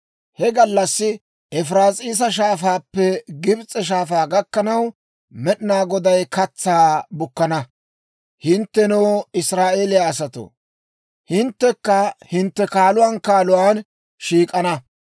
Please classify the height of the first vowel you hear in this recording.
mid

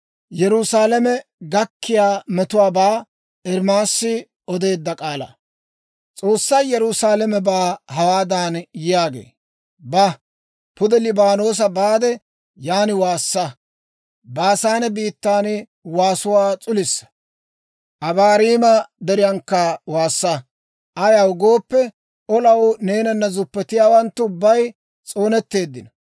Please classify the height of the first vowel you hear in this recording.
mid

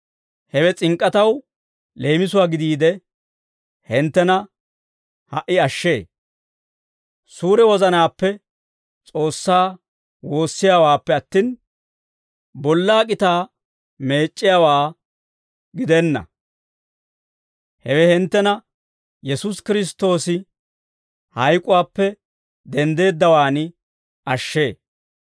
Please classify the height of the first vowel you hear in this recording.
mid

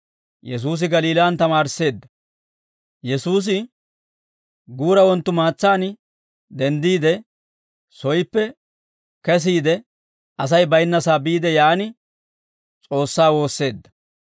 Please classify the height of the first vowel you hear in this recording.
mid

